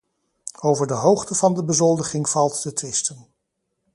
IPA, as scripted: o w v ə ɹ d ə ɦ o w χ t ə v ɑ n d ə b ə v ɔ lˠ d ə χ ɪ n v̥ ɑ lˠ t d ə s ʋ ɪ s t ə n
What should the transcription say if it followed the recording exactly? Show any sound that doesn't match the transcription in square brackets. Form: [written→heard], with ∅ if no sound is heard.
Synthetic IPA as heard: o w v ə ɹ d ə ɦ o w χ t ə v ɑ n d ə b ə [v→z] ɔ lˠ d ə χ ɪ [n→ŋ] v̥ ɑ lˠ t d ə [s→t] ʋ ɪ s t ə n